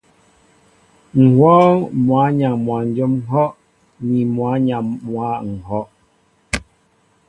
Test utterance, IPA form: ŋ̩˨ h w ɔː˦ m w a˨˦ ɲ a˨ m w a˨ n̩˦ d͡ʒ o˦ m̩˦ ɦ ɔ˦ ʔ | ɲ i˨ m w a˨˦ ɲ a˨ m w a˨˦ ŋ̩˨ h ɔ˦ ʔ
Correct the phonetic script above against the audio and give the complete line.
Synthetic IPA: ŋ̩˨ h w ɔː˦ m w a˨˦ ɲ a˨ m w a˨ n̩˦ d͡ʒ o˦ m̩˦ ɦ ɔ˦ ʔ | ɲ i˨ m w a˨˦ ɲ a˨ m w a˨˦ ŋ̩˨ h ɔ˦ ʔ